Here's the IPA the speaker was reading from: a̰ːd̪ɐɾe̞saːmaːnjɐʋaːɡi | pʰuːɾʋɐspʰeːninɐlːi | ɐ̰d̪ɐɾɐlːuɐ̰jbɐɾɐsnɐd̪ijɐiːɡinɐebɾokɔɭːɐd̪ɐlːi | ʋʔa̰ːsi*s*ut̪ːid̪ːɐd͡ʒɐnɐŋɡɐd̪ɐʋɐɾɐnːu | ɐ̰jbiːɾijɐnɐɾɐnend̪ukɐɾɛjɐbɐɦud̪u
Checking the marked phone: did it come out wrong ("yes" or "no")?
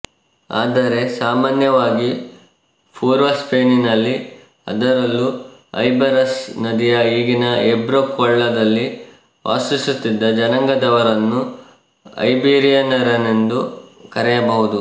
no